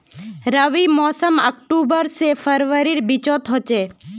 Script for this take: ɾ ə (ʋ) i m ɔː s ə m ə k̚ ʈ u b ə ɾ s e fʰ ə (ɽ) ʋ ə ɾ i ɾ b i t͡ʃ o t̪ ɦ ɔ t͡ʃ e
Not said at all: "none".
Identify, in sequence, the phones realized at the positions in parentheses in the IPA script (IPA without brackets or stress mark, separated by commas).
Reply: ʋ, ɾ